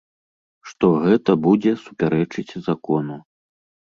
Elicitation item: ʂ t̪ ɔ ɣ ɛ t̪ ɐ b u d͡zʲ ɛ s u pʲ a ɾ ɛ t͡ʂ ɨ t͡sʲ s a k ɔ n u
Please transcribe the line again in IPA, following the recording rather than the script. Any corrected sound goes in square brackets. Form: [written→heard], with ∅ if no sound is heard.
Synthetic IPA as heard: ʂ t̪ ɔ ɣ ɛ t̪ ɐ b u d͡zʲ ɛ s u pʲ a ɾ ɛ t͡ʂ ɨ t͡sʲ [s→z] a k ɔ n u